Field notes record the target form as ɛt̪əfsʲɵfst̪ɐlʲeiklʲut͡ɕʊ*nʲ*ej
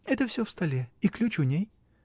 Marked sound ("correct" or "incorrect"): correct